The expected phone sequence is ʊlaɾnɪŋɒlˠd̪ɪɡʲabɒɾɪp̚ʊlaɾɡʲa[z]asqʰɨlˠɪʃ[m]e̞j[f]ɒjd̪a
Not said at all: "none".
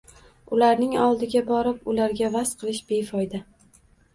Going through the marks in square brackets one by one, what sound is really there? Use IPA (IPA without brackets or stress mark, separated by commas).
v, b, f